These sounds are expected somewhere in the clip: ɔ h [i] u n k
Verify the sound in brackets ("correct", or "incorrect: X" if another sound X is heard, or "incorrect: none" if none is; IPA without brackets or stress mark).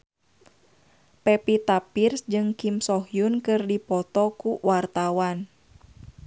incorrect: j